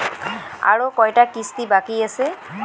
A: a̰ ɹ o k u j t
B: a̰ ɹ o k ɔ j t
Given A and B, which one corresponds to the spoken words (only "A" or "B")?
B